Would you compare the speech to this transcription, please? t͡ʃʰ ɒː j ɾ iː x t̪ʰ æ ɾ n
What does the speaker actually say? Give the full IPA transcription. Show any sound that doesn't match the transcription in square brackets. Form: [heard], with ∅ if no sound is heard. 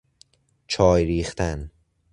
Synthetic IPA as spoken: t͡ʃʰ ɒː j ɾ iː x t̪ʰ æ [∅] n